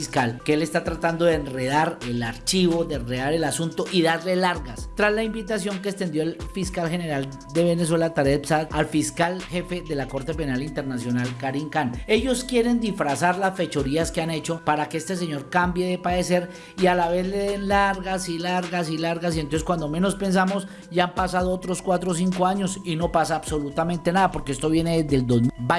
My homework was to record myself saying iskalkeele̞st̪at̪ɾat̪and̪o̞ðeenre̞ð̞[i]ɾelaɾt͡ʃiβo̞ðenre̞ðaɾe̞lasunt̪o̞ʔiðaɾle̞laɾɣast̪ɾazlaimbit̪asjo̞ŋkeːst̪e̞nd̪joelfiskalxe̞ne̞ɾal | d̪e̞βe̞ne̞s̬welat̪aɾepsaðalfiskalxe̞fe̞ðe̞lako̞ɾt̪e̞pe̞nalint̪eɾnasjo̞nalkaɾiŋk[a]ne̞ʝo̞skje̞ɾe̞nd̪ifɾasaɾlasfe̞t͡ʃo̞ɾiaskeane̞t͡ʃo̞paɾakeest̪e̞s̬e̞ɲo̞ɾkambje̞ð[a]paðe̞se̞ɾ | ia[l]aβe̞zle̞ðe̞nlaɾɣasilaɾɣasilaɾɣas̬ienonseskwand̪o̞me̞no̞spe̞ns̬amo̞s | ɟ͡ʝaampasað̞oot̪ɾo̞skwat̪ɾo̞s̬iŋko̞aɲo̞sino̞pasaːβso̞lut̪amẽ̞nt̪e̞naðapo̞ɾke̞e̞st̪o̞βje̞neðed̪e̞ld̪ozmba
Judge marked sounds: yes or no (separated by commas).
no, yes, no, yes